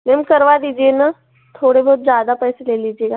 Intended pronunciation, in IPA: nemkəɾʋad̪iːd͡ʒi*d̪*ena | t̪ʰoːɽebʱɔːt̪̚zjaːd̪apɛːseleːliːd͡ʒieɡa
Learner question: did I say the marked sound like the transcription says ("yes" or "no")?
no